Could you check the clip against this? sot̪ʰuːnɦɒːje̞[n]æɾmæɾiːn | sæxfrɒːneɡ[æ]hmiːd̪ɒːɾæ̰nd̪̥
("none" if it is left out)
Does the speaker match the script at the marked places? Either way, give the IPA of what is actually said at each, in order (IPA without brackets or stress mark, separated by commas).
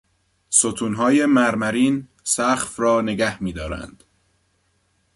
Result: m, æ